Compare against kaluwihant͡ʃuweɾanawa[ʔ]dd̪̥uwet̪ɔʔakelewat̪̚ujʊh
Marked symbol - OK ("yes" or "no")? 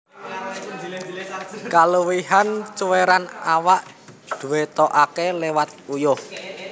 yes